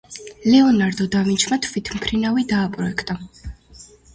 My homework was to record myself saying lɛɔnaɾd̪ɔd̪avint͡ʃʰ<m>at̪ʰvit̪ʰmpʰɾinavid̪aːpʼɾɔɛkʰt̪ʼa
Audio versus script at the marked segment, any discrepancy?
no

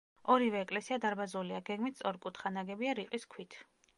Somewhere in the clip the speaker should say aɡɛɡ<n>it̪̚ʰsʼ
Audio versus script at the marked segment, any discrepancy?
yes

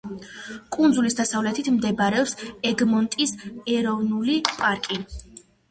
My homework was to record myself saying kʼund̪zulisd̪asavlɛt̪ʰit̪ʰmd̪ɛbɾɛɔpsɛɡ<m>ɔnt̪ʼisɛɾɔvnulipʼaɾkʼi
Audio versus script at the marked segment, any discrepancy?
no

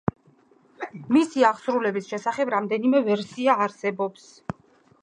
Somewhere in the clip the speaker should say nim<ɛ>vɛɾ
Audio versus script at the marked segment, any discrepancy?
no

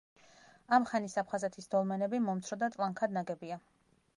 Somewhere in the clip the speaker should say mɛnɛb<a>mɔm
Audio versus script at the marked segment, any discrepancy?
yes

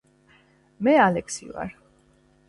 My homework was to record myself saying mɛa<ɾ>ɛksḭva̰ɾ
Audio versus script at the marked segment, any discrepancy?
yes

